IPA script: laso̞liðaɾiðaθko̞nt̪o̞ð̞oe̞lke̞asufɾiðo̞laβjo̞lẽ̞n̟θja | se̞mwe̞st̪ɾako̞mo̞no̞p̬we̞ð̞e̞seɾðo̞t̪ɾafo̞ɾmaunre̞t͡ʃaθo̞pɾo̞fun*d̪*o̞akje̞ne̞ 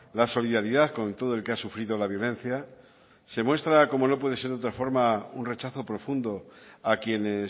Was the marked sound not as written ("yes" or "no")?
no